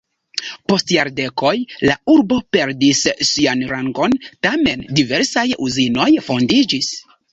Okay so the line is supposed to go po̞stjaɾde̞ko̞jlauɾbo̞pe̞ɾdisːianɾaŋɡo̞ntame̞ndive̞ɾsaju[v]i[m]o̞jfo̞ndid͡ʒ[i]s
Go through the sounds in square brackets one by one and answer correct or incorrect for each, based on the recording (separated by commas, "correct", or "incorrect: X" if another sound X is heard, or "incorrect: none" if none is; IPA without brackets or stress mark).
incorrect: z, incorrect: n, correct